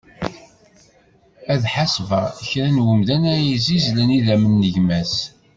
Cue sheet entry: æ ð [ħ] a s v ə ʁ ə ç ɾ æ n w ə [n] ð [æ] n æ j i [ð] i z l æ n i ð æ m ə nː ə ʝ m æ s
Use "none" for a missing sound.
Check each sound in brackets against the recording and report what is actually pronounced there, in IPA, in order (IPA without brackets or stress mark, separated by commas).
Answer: ħ, m, æ, z